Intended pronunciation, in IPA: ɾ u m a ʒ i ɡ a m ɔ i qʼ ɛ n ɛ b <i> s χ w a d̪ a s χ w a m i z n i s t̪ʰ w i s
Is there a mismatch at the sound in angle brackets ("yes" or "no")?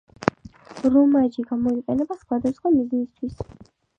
yes